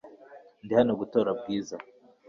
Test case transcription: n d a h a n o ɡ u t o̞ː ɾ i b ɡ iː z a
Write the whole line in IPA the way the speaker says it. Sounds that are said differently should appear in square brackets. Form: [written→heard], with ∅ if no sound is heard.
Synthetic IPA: n d [a→i] h a n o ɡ u t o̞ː ɾ [i→a] b ɡ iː z a